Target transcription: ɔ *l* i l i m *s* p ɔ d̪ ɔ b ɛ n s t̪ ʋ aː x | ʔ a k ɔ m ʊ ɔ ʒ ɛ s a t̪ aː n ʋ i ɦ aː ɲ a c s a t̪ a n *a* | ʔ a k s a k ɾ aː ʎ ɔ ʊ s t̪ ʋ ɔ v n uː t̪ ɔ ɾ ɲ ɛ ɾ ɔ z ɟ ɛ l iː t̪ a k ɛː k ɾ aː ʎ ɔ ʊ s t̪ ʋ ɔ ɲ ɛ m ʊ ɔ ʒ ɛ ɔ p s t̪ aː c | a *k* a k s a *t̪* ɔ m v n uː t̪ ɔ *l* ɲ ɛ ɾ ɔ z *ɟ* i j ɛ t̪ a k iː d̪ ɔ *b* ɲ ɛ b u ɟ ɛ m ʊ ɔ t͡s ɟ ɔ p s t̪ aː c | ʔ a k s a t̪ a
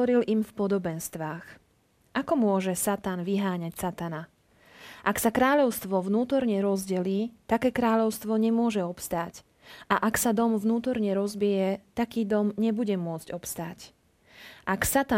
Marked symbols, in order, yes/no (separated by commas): no, no, yes, no, no, no, no, no